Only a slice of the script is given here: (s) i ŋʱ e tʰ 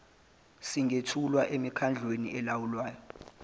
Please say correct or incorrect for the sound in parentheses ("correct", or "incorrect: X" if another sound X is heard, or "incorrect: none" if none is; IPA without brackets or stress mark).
correct